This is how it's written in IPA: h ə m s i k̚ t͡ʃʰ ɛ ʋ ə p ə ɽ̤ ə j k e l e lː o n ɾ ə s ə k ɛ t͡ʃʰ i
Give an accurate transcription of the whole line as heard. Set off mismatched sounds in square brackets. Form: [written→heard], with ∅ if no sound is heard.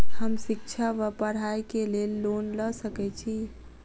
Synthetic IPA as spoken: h ə m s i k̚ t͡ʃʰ [ɛ→a] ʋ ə p ə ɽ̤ [ə→a] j k e l e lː o n [ɾ→l] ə s ə k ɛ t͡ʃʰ i